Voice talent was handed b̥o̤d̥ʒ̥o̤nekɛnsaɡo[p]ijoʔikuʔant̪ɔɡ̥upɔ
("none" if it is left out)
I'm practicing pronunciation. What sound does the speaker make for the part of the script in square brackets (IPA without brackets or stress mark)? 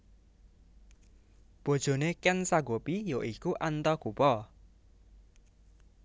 p